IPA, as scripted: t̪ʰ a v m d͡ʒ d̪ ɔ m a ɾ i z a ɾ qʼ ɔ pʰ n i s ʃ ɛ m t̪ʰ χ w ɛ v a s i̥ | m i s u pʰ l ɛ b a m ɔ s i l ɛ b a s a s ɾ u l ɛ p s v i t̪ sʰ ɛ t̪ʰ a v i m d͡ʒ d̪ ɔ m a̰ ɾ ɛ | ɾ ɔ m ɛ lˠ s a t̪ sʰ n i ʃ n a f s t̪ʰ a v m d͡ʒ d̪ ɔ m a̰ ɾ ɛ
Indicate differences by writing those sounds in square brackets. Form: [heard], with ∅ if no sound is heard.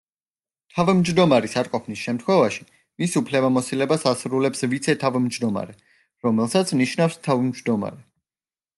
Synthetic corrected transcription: t̪ʰ a v m d͡ʒ d̪ ɔ m a ɾ i [s] a ɾ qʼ ɔ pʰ n i s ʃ ɛ m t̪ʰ χ w ɛ v a [ʃ] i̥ | m i s u pʰ l ɛ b a m ɔ s i l ɛ b a s a s ɾ u l ɛ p s v i t̪ sʰ ɛ t̪ʰ a v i m d͡ʒ d̪ ɔ m a̰ ɾ ɛ | ɾ ɔ m ɛ lˠ s a t̪ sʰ n i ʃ n a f s t̪ʰ a v m d͡ʒ d̪ ɔ m a̰ ɾ ɛ

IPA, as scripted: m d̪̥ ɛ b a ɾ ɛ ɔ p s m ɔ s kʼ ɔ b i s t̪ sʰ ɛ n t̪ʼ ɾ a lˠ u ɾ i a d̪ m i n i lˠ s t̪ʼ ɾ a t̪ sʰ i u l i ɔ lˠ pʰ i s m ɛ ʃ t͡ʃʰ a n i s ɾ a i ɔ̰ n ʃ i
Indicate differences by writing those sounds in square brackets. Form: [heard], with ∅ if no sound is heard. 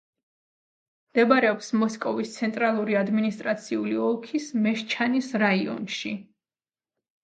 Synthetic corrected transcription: m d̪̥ ɛ b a ɾ ɛ ɔ p s m ɔ s kʼ ɔ [v] i s t̪ sʰ ɛ n t̪ʼ ɾ a lˠ u ɾ i a d̪ m i n i [∅] s t̪ʼ ɾ a t̪ sʰ i u l i ɔ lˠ [kʰ] i s m ɛ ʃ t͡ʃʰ a n i s ɾ a i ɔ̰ n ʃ i

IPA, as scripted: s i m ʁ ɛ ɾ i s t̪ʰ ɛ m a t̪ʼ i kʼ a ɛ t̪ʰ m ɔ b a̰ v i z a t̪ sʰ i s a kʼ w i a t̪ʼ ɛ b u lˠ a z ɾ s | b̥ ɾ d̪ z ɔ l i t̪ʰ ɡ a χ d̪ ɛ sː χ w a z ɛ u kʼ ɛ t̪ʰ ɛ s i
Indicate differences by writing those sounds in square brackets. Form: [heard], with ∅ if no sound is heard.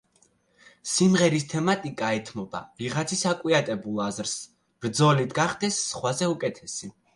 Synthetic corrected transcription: s i m ʁ ɛ ɾ i s t̪ʰ ɛ m a t̪ʼ i kʼ a ɛ t̪ʰ m ɔ b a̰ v i [ʁ] a t̪ sʰ i s a kʼ w i a t̪ʼ ɛ b u lˠ a z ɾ s | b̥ ɾ d̪ z ɔ l i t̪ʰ ɡ a χ d̪ ɛ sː χ w a z ɛ u kʼ ɛ t̪ʰ ɛ s i

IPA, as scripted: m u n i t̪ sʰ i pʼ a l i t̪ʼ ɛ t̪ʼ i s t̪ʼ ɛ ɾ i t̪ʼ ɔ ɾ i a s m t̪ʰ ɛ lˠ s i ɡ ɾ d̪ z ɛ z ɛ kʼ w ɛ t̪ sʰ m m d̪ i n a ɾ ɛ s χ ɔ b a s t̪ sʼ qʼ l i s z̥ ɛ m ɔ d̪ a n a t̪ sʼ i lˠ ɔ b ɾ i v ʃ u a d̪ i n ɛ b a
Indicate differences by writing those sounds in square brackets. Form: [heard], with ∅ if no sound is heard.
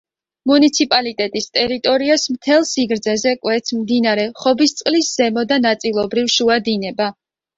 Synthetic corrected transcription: m u n i t̪ sʰ i pʼ a l i t̪ʼ ɛ t̪ʼ i s t̪ʼ ɛ ɾ i t̪ʼ ɔ ɾ i a s m t̪ʰ ɛ lˠ s i ɡ ɾ d̪ z ɛ z ɛ kʼ w ɛ t̪ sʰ m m d̪ i n a ɾ ɛ [∅] χ ɔ b [i] s t̪ sʼ qʼ l i s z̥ ɛ m ɔ d̪ a n a t̪ sʼ i lˠ ɔ b ɾ i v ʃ u a d̪ i n ɛ b a

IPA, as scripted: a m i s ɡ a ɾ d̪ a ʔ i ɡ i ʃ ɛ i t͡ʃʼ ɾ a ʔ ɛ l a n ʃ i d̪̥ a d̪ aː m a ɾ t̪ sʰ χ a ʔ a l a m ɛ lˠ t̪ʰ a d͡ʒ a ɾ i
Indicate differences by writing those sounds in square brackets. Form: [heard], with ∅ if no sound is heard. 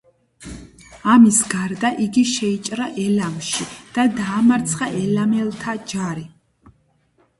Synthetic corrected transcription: a m i s ɡ a ɾ d̪ a ʔ i ɡ i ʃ ɛ i t͡ʃʼ ɾ a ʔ ɛ l a [m] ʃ i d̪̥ a d̪ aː m a ɾ t̪ sʰ χ a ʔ [ɛ] l a m ɛ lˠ t̪ʰ a d͡ʒ a ɾ i

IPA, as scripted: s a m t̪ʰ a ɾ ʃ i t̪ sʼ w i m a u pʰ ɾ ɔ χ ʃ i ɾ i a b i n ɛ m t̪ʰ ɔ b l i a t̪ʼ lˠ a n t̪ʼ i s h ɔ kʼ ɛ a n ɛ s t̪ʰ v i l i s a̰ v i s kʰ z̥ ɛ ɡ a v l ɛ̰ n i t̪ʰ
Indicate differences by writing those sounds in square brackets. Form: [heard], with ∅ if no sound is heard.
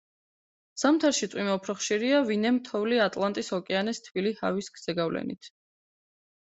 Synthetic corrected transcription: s a m t̪ʰ a ɾ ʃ i t̪ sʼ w i m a u pʰ ɾ ɔ χ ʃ i ɾ i a [v] i n ɛ m t̪ʰ ɔ [v] l i a t̪ʼ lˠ a n t̪ʼ i s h ɔ kʼ ɛ a n ɛ s t̪ʰ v i l i [h] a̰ v i s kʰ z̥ ɛ ɡ a v l ɛ̰ n i t̪ʰ

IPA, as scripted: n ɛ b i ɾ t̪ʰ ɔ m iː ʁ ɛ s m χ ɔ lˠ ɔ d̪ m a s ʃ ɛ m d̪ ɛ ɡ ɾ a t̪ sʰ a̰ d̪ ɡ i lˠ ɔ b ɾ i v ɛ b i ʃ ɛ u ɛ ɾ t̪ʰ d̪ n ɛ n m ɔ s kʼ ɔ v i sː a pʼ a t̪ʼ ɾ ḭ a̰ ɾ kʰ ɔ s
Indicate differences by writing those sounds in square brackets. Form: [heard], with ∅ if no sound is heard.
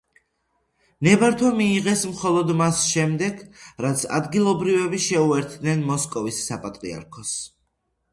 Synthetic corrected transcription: n ɛ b [a] ɾ t̪ʰ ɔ m iː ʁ ɛ s m χ ɔ lˠ ɔ d̪ m a s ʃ ɛ m d̪ ɛ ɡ ɾ a t̪ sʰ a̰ d̪ ɡ i lˠ ɔ b ɾ i v ɛ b i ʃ ɛ u ɛ ɾ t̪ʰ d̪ n ɛ n m ɔ s kʼ ɔ v i sː a pʼ a t̪ʼ ɾ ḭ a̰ ɾ kʰ ɔ s

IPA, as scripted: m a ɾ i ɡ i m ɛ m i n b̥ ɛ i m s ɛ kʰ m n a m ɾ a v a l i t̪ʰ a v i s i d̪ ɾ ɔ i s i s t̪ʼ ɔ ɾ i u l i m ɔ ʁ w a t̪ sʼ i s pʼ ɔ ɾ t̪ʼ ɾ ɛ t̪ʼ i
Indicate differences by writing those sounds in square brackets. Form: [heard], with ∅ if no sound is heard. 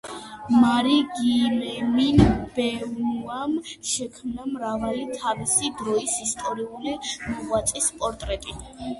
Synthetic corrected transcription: m a ɾ i ɡ i m ɛ m i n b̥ ɛ [a] m [ʃ] ɛ kʰ m n a m ɾ a v a l i t̪ʰ a v i s i d̪ ɾ ɔ i s i s t̪ʼ ɔ ɾ i u l i m ɔ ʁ w a t̪ sʼ i s pʼ ɔ ɾ t̪ʼ ɾ ɛ t̪ʼ i

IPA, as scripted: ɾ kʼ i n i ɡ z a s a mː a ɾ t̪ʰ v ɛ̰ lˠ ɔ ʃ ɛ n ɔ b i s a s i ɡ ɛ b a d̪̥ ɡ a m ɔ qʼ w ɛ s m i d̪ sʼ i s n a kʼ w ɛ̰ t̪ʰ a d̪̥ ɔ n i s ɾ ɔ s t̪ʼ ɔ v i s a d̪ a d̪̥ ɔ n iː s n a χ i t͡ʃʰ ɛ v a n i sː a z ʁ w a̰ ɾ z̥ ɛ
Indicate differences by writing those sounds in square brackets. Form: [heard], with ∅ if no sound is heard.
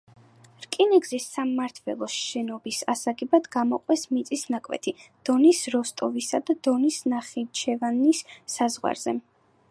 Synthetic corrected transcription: ɾ kʼ i n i ɡ z [i] s a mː a ɾ t̪ʰ v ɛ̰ lˠ ɔ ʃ ɛ n ɔ b i s a s [a] ɡ ɛ b a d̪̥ ɡ a m ɔ qʼ w ɛ s m i [t̪] sʼ i s n a kʼ w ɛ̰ t̪ʰ [i] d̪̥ ɔ n i s ɾ ɔ s t̪ʼ ɔ v i s a d̪ a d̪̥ ɔ n [i] s n a χ i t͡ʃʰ ɛ v a n i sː a z ʁ w a̰ ɾ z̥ ɛ

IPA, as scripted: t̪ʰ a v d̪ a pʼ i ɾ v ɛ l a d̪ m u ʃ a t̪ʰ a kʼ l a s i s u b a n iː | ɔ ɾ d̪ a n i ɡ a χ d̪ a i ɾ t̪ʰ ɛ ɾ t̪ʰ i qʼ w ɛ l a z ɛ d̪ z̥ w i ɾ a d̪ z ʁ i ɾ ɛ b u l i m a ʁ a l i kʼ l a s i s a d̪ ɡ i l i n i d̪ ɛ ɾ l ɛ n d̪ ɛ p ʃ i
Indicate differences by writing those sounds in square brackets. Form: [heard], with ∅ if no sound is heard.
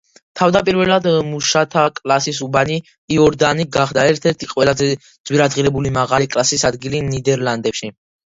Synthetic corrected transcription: t̪ʰ a v d̪ a pʼ i ɾ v ɛ l a d̪ m u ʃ a t̪ʰ a kʼ l a s i s u b a n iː | ɔ ɾ d̪ a n i ɡ a χ d̪ a [ɛ] ɾ t̪ʰ ɛ ɾ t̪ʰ i qʼ w ɛ l a z ɛ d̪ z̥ w i ɾ a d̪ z ʁ i ɾ ɛ b u l i m a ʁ a l i kʼ l a s i s a d̪ ɡ i l i n i d̪ ɛ ɾ l [a] n d̪ ɛ p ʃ i

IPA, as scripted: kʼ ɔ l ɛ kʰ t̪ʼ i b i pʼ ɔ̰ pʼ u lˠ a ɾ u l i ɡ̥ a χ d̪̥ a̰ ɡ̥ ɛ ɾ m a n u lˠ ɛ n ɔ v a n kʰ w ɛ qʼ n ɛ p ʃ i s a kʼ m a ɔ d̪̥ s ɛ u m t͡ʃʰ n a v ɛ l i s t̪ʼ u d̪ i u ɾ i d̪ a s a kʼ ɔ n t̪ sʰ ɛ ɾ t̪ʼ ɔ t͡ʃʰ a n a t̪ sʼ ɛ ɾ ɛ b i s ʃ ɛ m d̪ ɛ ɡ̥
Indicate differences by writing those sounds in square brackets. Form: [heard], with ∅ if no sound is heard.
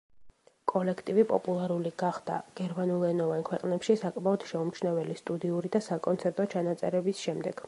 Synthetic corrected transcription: kʼ ɔ l ɛ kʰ t̪ʼ i [v] i pʼ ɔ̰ pʼ u lˠ a ɾ u l i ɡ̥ a χ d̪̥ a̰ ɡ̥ ɛ ɾ m a n u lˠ ɛ n ɔ v a n kʰ w ɛ qʼ n ɛ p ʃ i s a kʼ m a ɔ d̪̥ [ʃ] ɛ u m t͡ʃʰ n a v ɛ l i s t̪ʼ u d̪ i u ɾ i d̪ a s a kʼ ɔ n t̪ sʰ ɛ ɾ t̪ʼ ɔ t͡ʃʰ a n a t̪ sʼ ɛ ɾ ɛ b i s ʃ ɛ m d̪ ɛ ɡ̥

